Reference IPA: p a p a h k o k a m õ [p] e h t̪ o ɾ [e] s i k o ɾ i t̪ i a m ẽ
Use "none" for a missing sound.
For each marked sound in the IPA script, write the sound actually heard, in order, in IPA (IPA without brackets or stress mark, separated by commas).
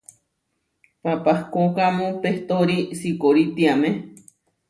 p, i